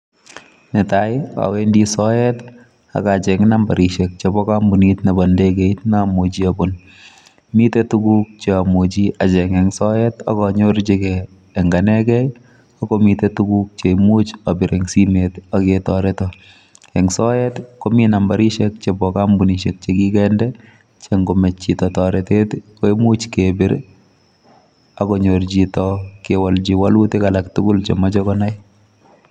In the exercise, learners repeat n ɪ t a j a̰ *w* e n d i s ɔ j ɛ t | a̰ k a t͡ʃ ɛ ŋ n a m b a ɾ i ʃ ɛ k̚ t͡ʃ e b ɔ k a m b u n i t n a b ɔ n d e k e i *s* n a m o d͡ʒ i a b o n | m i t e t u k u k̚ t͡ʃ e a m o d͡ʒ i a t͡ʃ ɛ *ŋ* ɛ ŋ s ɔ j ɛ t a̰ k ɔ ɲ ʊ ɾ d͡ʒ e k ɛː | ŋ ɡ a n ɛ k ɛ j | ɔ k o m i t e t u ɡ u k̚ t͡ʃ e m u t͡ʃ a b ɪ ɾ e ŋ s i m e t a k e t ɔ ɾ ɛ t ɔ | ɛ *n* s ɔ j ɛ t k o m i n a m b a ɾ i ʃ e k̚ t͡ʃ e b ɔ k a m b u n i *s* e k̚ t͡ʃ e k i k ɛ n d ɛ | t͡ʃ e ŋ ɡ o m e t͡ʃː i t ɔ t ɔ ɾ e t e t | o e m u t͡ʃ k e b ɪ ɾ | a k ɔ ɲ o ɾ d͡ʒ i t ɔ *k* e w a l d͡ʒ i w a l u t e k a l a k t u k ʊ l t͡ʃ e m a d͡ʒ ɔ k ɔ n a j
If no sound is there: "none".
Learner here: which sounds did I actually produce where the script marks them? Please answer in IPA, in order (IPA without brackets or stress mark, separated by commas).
w, t, ŋ, ŋ, ʃ, k